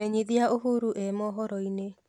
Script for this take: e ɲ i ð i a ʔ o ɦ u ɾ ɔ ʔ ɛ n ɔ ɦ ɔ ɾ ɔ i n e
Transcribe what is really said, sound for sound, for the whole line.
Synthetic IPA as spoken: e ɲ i ð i a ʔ o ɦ u ɾ u ʔ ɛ m ɔ ɦ ɔ ɾ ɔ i n e